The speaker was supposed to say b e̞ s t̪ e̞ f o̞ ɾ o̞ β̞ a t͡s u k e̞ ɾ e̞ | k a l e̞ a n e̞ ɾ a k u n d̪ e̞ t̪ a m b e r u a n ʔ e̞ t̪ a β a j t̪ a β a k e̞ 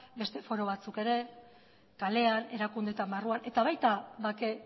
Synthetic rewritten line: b e̞ s t̪ e̞ f o̞ ɾ o̞ β̞ a t͡s u k e̞ ɾ e̞ | k a l e̞ a n e̞ ɾ a k u n d̪ e̞ t̪ a m b a r u a n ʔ e̞ t̪ a β a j t̪ a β a k e̞